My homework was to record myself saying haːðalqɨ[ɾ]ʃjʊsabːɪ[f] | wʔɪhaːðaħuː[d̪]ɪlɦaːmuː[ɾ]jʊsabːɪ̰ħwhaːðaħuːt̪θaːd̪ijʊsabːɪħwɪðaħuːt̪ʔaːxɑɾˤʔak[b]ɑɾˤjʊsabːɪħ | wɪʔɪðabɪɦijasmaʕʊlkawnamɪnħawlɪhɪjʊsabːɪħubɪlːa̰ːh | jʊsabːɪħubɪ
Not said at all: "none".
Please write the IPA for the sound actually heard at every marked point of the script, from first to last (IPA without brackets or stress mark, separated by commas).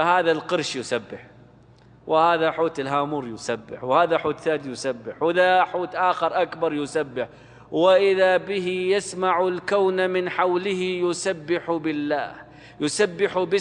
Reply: ɾ, ħ, t̪, ɾ, b